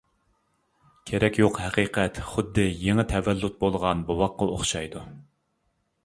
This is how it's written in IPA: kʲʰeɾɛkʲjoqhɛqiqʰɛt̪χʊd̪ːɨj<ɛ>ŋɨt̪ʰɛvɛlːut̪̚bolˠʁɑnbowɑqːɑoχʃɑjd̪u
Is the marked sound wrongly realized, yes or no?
yes